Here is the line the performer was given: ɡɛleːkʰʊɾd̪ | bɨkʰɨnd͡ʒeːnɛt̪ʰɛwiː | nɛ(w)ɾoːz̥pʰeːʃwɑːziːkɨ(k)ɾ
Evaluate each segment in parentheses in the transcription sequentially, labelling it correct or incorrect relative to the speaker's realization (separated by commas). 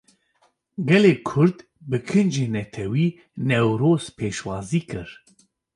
correct, incorrect